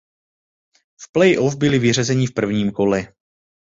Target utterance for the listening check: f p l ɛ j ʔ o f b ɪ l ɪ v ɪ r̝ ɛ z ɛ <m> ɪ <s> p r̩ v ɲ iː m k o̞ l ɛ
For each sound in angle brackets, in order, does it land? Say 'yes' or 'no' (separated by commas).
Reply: no, no